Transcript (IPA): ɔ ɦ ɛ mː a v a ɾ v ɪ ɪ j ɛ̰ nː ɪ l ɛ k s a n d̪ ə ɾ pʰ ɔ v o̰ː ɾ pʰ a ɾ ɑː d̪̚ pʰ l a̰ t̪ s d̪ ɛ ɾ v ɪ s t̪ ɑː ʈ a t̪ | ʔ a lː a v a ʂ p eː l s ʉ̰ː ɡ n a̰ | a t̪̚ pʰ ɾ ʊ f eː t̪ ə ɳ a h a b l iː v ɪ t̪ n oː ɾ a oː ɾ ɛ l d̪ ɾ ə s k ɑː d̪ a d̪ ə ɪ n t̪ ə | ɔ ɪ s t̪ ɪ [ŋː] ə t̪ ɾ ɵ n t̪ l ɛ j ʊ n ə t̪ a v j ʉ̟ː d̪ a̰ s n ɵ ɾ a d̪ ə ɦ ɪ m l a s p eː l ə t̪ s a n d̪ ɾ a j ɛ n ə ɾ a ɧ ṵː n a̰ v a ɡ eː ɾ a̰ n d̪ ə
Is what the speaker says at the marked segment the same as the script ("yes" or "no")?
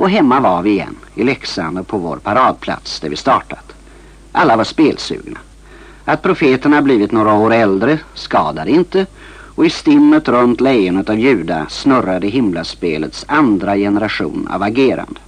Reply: no